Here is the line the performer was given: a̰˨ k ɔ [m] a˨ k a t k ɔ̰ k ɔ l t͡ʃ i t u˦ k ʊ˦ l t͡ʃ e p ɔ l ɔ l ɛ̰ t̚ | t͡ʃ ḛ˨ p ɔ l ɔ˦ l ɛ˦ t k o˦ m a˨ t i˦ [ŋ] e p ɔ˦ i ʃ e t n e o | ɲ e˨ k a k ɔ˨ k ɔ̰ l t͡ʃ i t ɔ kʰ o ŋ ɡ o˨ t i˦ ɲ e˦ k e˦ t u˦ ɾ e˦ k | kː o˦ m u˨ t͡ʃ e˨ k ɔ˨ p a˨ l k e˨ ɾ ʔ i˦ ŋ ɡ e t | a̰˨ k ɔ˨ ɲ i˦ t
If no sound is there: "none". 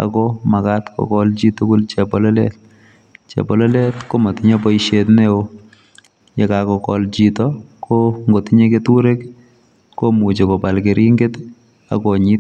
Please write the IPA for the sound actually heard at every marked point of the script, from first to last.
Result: m, ɲ

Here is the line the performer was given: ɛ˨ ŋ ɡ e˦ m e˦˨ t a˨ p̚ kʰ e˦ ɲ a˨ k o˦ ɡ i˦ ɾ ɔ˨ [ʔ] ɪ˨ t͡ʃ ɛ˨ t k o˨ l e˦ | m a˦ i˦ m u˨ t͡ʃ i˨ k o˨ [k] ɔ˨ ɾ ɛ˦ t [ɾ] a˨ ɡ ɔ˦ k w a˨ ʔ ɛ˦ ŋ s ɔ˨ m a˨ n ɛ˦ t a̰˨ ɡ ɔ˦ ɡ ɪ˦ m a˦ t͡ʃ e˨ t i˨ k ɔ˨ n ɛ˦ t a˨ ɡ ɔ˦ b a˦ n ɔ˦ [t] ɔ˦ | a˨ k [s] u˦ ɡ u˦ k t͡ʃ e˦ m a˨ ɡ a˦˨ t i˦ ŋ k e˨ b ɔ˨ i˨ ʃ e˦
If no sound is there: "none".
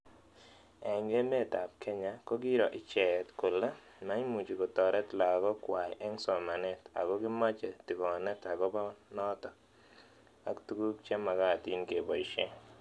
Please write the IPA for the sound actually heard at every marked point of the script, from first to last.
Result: ʔ, t, l, t, t

